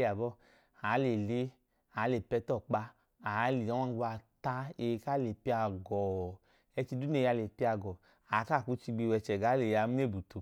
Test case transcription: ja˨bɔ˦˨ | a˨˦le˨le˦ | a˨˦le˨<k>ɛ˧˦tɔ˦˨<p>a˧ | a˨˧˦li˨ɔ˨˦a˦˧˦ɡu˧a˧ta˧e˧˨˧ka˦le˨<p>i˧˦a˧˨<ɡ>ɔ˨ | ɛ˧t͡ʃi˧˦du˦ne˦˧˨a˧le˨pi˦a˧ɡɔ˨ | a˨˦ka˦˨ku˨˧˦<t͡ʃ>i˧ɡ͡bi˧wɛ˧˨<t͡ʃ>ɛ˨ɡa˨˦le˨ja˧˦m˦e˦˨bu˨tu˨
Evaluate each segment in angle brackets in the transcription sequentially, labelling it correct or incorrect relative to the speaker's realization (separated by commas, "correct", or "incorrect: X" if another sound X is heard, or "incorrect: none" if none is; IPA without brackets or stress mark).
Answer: incorrect: p, incorrect: k͡p, correct, correct, correct, correct